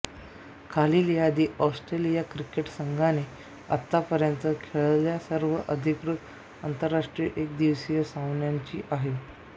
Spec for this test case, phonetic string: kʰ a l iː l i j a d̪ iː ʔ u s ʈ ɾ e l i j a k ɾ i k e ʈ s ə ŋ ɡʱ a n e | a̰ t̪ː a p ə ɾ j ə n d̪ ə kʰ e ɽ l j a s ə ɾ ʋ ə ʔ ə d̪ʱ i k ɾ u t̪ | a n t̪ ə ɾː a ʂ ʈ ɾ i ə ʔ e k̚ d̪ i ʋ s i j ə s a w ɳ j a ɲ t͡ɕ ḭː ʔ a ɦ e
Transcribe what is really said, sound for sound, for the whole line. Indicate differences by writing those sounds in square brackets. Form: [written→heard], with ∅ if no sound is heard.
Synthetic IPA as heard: kʰ a l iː l i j a d̪ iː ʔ [u→ɔ] s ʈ ɾ e l i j a k ɾ i k e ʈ s ə ŋ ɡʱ a n e | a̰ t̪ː a p ə ɾ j ə n [d̪→t̪] ə kʰ e [ɽ→ɭ] l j a s ə ɾ ʋ ə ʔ ə d̪ʱ i k ɾ u t̪ | a n t̪ ə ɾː a ʂ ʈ ɾ i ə ʔ e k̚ d̪ i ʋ s i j ə s a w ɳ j a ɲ t͡ɕ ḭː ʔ a ɦ e

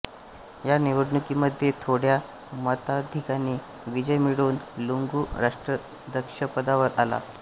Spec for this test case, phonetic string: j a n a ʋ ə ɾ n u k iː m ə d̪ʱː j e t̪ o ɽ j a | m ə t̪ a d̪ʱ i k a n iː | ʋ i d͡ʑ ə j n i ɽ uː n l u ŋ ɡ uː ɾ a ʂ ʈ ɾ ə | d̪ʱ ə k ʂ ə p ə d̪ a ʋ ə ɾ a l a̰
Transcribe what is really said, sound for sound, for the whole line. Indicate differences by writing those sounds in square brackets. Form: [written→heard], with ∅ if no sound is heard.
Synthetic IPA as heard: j a n [a→i] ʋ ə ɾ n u k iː m ə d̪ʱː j e [t̪→t̪ʰ] o ɽ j a | m ə t̪ a d̪ʱ i k a n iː | ʋ i d͡ʑ ə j [n→m] i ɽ uː n l u ŋ ɡ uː ɾ a ʂ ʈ ɾ ə | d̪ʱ ə k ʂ ə p ə d̪ a ʋ ə ɾ a l a̰

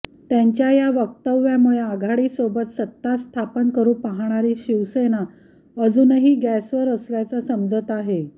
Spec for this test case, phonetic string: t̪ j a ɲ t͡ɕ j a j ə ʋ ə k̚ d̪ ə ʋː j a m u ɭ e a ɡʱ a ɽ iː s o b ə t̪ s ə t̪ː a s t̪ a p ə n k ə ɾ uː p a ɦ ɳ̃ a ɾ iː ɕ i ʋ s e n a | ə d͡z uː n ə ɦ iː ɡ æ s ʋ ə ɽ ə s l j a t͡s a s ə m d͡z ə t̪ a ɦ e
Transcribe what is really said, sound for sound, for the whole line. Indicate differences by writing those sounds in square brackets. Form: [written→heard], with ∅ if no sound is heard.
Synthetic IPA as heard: t̪ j a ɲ t͡ɕ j a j [ə→a] ʋ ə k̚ [d̪→t̪] ə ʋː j a m u ɭ e a ɡʱ a ɽ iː s o b ə t̪ s ə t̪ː a s [t̪→t̪ʰ] a p ə n k ə ɾ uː p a ɦ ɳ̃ a ɾ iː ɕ i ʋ s e n a | ə d͡z uː n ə ɦ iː ɡ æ s ʋ ə [ɽ→ɾ] ə s l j a t͡s a s ə m d͡z ə t̪ a ɦ e

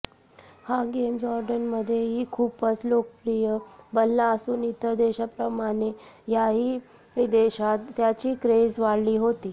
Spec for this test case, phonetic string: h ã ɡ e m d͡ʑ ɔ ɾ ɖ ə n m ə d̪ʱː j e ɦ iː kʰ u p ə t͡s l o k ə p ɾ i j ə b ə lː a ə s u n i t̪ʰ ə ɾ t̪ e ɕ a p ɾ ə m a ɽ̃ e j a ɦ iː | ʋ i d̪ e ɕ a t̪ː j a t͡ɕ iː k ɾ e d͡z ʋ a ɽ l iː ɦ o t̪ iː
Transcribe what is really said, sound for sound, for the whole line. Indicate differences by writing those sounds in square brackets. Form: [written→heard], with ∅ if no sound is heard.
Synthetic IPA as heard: h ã ɡ e m d͡ʑ ɔ ɾ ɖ ə n m ə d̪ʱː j e ɦ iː kʰ u p ə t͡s l o k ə p ɾ i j ə b ə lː a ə s [u→uː] n i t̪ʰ ə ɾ [t̪→d̪] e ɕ a p ɾ ə m a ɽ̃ e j a ɦ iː | ʋ i d̪ e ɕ a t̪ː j a t͡ɕ iː k ɾ e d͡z ʋ a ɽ l iː ɦ o t̪ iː

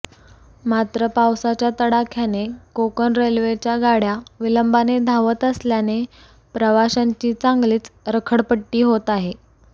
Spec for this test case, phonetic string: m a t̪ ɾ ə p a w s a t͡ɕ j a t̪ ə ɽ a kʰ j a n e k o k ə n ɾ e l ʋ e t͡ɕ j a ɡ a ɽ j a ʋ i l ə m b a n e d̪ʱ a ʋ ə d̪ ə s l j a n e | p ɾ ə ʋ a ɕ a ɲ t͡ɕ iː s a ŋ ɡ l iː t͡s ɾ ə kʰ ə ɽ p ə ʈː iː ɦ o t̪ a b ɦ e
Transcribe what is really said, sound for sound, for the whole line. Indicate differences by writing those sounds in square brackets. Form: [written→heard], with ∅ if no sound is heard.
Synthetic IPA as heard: m a t̪ ɾ ə p a w s a t͡ɕ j a t̪ ə ɽ a kʰ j a n e k o k ə n ɾ e l ʋ e t͡ɕ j a ɡ a ɽ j a ʋ i l ə m b a n e d̪ʱ a ʋ ə [d̪→t̪] ə s l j a n e | p ɾ ə ʋ a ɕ a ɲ t͡ɕ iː [s→t͡s] a ŋ ɡ l iː t͡s ɾ ə kʰ ə ɽ p ə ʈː iː ɦ o t̪ a [b→∅] ɦ e

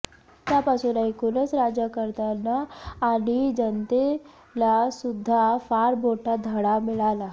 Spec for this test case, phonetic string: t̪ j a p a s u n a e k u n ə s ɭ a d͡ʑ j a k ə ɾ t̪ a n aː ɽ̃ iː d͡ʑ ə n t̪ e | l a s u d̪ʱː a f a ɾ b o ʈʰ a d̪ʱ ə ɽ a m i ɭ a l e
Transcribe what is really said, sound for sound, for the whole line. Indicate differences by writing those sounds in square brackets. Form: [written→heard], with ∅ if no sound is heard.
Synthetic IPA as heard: t̪ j a p a s u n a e k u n ə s [ɭ→ɾ] a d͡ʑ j a k ə ɾ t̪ a n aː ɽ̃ [iː→i] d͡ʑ ə n t̪ e | l a s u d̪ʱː a f a ɾ b o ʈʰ a d̪ʱ ə ɽ a m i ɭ a l [e→a]

